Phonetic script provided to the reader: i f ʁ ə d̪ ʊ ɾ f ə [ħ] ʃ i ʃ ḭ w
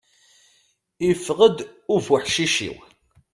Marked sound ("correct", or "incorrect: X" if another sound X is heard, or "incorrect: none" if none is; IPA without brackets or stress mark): correct